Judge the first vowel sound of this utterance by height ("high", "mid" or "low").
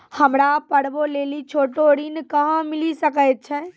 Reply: mid